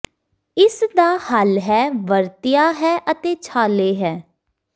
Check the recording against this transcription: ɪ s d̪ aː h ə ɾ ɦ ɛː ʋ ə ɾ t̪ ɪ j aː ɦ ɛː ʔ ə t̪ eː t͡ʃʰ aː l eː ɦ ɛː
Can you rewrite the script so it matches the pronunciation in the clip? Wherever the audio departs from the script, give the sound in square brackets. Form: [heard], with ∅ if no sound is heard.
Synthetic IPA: ɪ s d̪ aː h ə [l] ɦ ɛː ʋ ə ɾ t̪ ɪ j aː ɦ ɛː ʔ ə t̪ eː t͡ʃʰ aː l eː ɦ ɛː